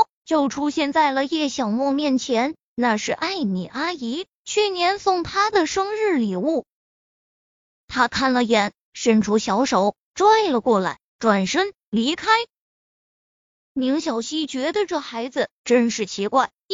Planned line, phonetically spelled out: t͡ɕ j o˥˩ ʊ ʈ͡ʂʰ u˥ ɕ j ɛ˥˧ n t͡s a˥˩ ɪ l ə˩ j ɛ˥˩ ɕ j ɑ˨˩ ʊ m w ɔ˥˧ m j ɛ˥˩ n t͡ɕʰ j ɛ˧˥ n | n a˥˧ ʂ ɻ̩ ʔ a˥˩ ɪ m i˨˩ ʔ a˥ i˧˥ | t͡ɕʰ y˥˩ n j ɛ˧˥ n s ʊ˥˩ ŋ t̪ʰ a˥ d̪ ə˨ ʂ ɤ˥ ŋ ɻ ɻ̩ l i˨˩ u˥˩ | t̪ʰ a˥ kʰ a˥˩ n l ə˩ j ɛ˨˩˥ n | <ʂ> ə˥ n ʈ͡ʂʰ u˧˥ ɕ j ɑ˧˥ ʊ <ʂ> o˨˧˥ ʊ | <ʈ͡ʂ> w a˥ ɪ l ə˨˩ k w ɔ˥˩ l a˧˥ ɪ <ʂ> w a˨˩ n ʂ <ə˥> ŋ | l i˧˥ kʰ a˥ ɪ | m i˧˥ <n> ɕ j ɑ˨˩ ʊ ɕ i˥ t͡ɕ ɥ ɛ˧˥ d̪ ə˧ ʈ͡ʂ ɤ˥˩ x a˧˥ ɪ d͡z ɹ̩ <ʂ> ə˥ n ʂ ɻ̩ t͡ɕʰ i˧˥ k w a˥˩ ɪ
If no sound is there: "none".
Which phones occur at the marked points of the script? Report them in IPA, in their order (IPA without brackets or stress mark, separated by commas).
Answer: ʂ, ʂ, ʈ͡ʂ, ʈ͡ʂ, ə˥, ŋ, ʈ͡ʂ